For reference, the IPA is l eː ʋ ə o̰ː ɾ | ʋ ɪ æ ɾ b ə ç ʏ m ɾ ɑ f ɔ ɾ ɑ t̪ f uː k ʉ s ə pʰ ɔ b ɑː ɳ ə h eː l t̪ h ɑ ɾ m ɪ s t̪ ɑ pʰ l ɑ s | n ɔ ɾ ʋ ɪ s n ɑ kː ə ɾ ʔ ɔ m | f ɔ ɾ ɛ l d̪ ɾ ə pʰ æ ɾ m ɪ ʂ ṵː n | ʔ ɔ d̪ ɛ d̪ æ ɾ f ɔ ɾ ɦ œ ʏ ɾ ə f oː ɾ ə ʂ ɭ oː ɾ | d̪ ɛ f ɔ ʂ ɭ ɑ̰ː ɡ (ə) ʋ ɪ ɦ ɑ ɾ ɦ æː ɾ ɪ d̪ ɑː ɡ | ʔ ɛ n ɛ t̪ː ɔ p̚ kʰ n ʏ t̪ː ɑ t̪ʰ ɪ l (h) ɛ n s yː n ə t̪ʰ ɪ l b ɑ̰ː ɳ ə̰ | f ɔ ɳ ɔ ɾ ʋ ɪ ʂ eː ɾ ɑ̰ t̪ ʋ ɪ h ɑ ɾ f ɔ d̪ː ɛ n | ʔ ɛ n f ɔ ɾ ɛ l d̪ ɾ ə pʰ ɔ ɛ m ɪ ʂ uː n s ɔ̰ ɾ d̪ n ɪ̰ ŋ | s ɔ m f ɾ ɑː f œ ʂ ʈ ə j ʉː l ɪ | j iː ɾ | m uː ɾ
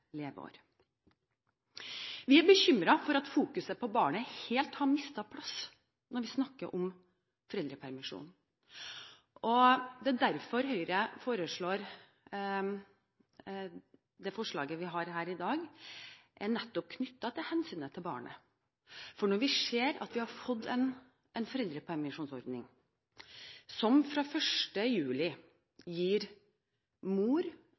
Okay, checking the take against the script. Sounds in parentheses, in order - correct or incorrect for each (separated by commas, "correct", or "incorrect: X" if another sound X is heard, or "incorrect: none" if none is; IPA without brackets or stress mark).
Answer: correct, correct